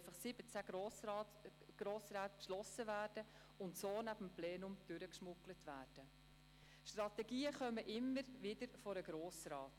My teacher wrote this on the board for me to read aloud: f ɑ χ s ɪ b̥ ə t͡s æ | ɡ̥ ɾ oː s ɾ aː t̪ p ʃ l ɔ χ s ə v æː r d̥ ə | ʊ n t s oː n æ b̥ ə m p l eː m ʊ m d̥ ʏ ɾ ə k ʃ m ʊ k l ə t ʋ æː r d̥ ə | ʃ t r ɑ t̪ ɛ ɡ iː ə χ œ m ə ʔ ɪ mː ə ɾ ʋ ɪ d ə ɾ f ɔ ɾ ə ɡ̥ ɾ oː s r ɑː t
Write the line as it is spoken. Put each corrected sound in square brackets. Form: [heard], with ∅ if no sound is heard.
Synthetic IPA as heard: f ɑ χ s ɪ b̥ ə t͡s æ | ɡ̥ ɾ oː s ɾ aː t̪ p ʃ l ɔ [∅] s ə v æː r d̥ ə | ʊ n t s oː n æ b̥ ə m p l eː [n] ʊ m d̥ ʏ ɾ ə k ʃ m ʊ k l ə t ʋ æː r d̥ ə | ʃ t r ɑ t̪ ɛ ɡ iː ə χ œ m ə ʔ ɪ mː ə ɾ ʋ ɪ d ə ɾ f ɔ ɾ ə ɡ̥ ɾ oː s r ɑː t